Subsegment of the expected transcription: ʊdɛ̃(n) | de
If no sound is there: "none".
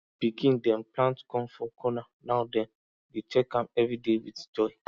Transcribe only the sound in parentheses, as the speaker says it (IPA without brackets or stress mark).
n